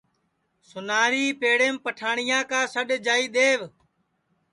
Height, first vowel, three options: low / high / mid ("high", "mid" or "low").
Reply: high